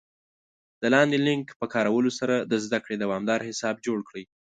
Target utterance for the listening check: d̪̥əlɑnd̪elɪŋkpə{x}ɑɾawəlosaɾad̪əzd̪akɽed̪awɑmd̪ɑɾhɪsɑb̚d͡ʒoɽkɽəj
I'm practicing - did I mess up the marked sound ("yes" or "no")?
yes